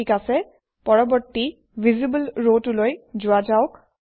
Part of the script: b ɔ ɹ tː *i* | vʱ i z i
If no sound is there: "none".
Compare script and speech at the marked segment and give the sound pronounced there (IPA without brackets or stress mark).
i